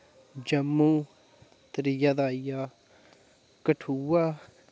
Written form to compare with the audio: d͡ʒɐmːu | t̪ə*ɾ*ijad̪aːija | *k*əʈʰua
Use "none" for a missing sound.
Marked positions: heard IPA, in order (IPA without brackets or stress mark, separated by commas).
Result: ɾ, k